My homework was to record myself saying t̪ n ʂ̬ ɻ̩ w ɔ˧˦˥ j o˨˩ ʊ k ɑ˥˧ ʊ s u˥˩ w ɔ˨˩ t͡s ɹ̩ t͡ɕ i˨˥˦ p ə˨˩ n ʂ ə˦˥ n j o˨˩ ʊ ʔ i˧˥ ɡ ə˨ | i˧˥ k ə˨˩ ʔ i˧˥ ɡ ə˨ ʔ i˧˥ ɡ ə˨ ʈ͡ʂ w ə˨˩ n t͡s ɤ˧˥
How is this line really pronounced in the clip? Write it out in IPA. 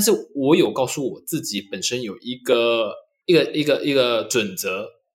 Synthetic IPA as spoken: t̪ n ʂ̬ ɻ̩ w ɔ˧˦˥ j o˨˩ ʊ k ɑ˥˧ ʊ s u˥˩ w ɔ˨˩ t͡s ɹ̩ t͡ɕ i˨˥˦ p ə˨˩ n ʂ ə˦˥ n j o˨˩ ʊ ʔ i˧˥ ɡ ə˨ | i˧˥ ɡ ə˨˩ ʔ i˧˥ ɡ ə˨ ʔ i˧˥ ɡ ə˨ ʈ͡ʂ w ə˨˩ n t͡s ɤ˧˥